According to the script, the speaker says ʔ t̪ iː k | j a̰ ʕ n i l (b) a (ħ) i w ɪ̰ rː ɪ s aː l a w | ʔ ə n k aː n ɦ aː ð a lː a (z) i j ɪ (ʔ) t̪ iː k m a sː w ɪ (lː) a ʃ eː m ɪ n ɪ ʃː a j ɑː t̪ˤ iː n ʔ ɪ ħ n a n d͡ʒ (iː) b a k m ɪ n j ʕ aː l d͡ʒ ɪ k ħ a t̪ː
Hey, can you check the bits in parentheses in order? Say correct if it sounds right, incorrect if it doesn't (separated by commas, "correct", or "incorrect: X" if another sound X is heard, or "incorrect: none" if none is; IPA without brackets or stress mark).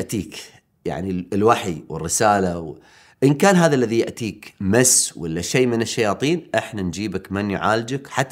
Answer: incorrect: w, correct, incorrect: ð, correct, correct, correct